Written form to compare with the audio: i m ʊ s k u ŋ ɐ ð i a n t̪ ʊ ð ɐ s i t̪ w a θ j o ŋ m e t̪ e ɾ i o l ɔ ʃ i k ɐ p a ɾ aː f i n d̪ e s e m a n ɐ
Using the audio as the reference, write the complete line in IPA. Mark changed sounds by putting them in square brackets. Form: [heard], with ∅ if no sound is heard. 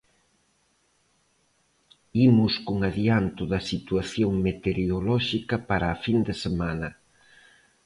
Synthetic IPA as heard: i m ʊ s k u ŋ [a] ð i a n t̪ ʊ ð ɐ s i t̪ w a θ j o ŋ m e t̪ e ɾ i o l ɔ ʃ i k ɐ p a ɾ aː f i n d̪ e s e m a n ɐ